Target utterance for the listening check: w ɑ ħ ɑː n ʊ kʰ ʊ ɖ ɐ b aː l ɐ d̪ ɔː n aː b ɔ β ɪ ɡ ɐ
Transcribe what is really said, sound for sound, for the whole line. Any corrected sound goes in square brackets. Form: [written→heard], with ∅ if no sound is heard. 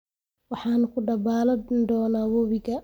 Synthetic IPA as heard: w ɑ ħ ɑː n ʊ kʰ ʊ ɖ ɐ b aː l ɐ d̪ ɔː n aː [b→w] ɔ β ɪ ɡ ɐ